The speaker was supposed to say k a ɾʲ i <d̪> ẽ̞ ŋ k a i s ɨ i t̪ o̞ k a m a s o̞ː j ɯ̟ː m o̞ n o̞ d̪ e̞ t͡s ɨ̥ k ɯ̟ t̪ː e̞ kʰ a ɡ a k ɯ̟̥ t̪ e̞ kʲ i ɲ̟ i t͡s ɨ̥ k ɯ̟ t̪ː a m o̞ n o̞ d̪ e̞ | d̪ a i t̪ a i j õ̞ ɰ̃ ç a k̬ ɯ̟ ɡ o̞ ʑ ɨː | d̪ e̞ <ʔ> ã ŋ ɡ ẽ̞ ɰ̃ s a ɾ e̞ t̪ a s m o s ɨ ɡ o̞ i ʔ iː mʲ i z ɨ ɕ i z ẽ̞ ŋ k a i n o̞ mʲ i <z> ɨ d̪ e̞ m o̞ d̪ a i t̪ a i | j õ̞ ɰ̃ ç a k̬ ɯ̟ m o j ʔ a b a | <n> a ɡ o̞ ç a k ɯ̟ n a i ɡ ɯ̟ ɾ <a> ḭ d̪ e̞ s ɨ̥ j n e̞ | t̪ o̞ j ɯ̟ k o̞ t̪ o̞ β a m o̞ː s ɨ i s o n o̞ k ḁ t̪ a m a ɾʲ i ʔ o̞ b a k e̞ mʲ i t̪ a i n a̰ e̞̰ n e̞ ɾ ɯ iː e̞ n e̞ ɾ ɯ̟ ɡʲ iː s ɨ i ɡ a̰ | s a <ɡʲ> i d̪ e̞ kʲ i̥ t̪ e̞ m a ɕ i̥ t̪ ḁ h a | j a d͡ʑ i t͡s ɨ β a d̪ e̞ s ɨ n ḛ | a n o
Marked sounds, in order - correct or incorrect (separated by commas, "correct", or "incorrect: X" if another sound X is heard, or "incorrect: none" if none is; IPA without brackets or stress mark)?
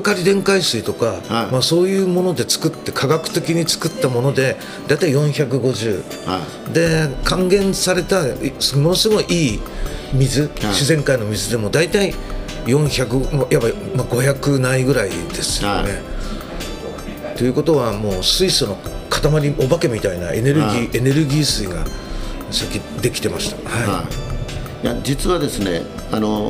correct, incorrect: k, correct, incorrect: m, correct, incorrect: kʲ